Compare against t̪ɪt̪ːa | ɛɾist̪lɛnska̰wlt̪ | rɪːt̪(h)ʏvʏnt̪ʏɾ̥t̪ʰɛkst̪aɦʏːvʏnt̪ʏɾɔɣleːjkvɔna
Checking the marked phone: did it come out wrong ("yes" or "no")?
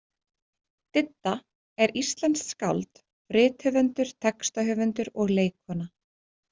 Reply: no